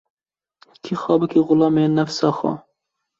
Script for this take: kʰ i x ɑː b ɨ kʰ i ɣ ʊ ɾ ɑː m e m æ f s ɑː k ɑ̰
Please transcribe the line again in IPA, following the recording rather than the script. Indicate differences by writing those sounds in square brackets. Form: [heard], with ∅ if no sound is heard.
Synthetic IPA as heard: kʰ i x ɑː b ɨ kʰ i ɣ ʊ [l] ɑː m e [n] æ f s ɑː [x] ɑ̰

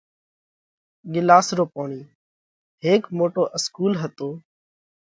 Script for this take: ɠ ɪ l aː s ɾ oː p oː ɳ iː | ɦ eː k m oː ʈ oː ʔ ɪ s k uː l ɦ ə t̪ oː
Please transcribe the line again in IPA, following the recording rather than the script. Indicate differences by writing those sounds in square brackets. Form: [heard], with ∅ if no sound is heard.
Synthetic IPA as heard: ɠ ɪ l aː s ɾ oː p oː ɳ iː | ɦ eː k m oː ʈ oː ʔ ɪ s k uː l ɦ ə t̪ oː

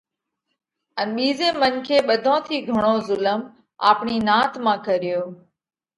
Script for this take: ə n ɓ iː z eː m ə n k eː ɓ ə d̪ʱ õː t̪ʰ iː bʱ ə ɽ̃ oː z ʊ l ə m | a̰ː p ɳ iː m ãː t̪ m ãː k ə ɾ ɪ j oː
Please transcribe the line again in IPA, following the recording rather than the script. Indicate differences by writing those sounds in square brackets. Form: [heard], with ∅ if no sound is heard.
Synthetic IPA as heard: ə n ɓ iː z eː m ə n [kʰ] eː ɓ ə d̪ʱ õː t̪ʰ iː [ɡʱ] ə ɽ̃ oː z ʊ l ə m | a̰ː p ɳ iː [n] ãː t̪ m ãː k ə ɾ ɪ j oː

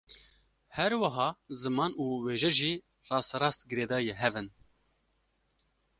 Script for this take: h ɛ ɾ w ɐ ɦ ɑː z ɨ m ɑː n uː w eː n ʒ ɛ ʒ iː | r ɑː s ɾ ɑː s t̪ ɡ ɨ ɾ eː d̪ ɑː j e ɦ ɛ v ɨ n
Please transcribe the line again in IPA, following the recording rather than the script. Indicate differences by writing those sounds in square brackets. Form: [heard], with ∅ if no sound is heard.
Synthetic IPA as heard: h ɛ ɾ w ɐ ɦ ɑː z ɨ m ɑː n uː w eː [∅] ʒ ɛ ʒ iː | r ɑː s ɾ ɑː s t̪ ɡ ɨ ɾ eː d̪ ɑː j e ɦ ɛ v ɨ n

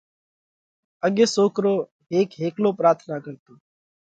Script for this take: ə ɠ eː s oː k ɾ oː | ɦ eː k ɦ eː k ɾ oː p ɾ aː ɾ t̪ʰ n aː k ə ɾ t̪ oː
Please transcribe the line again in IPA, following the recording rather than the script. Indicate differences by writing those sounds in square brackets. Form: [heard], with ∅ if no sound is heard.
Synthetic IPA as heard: ə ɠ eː s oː k ɾ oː | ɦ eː k ɦ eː k [l] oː p ɾ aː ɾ t̪ʰ n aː k ə ɾ t̪ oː

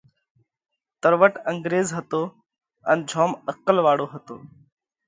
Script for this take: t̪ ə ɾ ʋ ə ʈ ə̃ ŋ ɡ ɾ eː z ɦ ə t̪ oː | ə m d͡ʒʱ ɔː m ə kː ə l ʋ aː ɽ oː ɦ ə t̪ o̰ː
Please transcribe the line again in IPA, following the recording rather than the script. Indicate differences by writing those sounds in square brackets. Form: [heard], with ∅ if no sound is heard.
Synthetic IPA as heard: t̪ ə ɾ ʋ ə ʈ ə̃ ŋ ɡ ɾ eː z ɦ ə t̪ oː | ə [n] d͡ʒʱ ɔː m ə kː ə l ʋ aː ɽ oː ɦ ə t̪ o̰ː

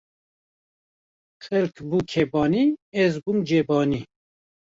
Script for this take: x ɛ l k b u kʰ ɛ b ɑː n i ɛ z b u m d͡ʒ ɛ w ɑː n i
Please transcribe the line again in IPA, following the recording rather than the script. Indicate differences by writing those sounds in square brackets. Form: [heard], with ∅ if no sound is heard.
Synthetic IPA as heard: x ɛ l k b u kʰ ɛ b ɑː n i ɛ z b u m d͡ʒ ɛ [b] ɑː n i

